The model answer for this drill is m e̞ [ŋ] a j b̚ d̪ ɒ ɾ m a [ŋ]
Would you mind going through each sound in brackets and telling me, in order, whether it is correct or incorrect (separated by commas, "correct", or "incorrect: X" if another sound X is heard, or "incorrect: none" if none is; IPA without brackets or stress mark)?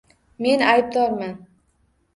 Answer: incorrect: n, incorrect: n